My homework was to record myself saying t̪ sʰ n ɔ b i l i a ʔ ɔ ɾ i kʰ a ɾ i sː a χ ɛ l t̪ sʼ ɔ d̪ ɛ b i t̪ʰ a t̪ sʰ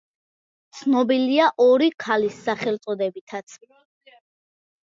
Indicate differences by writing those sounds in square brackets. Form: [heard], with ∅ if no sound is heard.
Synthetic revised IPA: t̪ sʰ n ɔ b i l i a ʔ ɔ ɾ i kʰ a [l] i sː a χ ɛ l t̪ sʼ ɔ d̪ ɛ b i t̪ʰ a t̪ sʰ